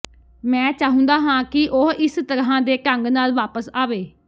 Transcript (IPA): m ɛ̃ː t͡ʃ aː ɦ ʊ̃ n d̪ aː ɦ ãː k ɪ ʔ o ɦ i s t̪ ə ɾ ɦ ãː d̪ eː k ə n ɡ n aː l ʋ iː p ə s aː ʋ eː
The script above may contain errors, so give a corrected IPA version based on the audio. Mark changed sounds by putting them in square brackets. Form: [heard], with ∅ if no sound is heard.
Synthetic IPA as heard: m ɛ̃ː t͡ʃ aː ɦ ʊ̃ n d̪ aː ɦ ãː k ɪ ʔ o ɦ [ɪ] s t̪ ə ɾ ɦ ãː d̪ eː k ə [ŋ] ɡ n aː l ʋ [aː] p ə s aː ʋ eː